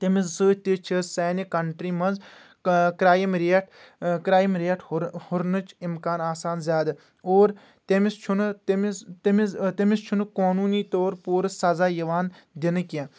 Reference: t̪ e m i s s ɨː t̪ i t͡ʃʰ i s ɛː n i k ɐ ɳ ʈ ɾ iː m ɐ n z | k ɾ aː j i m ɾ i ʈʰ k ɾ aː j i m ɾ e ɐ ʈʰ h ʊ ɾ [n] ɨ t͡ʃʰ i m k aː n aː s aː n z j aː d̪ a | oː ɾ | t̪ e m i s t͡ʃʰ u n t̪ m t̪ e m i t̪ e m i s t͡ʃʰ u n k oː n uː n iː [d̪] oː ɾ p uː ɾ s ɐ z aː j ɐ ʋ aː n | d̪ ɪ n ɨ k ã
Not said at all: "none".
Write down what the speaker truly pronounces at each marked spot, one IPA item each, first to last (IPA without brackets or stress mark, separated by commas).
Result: n, t̪